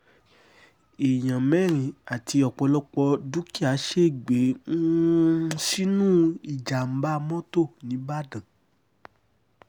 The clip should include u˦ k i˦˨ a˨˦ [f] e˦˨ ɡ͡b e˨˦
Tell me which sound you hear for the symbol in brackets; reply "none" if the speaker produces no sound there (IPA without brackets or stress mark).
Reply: ʃ